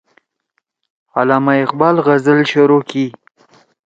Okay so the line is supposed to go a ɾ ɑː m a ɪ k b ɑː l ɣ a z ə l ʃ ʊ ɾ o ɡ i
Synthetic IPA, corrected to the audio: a l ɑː m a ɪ q b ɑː l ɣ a z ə l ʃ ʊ ɾ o k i